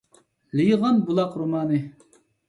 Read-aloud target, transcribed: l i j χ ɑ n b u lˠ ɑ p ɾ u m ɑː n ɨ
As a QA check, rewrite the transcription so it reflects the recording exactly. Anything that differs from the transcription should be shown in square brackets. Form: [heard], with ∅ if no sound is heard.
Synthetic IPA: l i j [ʁ] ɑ n b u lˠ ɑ [q] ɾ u m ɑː n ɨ